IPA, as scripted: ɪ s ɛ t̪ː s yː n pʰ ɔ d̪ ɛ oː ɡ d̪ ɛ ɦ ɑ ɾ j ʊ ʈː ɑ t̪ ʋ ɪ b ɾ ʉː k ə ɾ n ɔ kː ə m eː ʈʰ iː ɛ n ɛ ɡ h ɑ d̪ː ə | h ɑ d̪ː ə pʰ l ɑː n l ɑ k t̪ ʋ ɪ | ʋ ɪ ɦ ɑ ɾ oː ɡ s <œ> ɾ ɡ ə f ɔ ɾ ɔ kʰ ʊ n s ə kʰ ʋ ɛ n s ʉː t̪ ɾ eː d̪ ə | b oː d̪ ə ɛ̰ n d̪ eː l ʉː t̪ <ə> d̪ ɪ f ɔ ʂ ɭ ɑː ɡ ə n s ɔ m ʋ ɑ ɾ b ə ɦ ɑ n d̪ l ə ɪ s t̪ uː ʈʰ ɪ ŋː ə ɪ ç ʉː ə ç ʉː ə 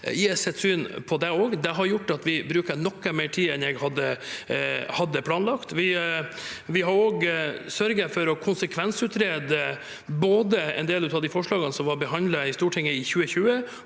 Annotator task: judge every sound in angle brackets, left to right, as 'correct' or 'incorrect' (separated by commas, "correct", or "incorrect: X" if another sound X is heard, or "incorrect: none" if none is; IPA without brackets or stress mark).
correct, incorrect: ɑ